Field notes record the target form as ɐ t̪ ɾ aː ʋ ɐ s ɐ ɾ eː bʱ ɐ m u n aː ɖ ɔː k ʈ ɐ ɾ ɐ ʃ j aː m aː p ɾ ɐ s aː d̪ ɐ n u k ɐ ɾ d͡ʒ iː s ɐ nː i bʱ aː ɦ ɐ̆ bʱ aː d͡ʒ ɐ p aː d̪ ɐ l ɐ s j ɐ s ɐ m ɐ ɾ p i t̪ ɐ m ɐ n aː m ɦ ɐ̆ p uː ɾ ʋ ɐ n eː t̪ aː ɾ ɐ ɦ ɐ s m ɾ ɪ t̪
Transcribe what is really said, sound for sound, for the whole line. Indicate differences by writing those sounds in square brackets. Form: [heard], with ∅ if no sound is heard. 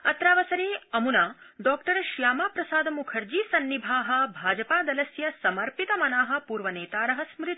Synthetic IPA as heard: ɐ t̪ ɾ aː ʋ ɐ s ɐ ɾ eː [∅] ɐ m u n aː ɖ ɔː k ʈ ɐ ɾ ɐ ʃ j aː m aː p ɾ ɐ s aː d̪ ɐ [m] u [kʰ] ɐ ɾ d͡ʒ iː s ɐ nː i bʱ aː ɦ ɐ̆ bʱ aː d͡ʒ ɐ p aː d̪ ɐ l ɐ s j ɐ s ɐ m ɐ ɾ p i t̪ ɐ m ɐ n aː [∅] ɦ ɐ̆ p uː ɾ ʋ ɐ n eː t̪ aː ɾ ɐ ɦ ɐ s m ɾ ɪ t̪